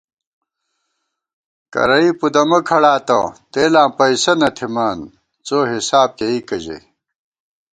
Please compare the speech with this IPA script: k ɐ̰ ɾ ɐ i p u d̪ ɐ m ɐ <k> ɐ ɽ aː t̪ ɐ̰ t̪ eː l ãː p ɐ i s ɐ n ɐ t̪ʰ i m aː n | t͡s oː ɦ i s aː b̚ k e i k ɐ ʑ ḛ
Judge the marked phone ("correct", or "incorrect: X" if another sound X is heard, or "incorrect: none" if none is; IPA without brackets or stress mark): incorrect: kʰ